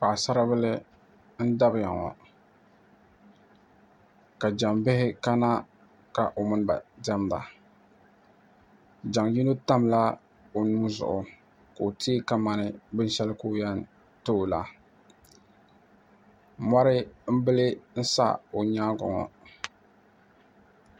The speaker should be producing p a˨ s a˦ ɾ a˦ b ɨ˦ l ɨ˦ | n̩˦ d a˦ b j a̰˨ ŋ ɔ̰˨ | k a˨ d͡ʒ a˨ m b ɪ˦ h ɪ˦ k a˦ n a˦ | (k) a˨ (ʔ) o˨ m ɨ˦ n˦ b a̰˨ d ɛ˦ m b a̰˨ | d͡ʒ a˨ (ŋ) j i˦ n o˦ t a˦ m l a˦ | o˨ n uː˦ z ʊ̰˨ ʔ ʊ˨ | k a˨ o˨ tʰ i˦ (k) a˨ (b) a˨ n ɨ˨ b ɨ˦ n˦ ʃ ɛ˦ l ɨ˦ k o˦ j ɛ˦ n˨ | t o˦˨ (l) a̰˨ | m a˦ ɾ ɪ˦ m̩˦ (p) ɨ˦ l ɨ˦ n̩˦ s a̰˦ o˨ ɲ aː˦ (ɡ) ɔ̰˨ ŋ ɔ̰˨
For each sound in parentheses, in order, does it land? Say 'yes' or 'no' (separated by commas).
yes, yes, yes, yes, no, yes, no, yes